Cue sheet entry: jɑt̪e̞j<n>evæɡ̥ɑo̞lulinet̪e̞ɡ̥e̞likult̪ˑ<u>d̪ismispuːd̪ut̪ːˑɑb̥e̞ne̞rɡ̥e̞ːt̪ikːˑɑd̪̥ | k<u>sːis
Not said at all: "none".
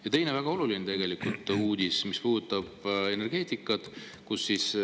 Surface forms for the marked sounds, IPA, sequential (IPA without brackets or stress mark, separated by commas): n, uː, u